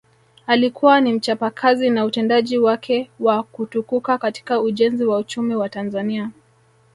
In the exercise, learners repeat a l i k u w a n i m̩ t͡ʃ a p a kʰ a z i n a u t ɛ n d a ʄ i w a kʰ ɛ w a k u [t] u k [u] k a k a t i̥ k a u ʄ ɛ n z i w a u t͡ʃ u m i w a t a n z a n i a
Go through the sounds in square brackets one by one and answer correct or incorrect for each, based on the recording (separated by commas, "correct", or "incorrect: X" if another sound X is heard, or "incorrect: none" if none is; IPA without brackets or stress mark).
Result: correct, correct